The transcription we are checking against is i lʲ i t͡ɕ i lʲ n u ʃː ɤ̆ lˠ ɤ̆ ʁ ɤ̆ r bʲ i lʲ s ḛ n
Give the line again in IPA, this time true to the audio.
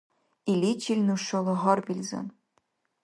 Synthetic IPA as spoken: i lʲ i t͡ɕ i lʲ n u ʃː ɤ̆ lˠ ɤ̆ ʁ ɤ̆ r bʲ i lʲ z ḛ n